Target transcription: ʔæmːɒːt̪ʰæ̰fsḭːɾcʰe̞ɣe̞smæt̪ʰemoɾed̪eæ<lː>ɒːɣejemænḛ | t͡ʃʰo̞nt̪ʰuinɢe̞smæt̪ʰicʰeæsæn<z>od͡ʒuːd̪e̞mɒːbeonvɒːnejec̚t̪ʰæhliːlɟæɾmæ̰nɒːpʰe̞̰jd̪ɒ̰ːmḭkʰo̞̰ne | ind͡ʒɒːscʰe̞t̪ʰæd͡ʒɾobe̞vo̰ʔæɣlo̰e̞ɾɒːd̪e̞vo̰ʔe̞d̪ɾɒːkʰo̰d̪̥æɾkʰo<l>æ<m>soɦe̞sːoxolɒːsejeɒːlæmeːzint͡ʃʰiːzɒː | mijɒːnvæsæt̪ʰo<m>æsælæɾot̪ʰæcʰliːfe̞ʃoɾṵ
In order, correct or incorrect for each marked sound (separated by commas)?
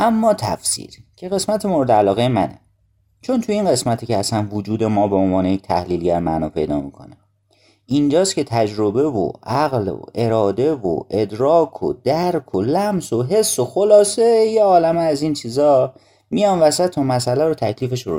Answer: incorrect, incorrect, correct, correct, correct